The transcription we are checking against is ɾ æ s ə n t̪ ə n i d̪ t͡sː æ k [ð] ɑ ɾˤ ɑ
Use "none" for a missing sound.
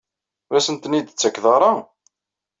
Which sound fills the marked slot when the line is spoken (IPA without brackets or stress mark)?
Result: ð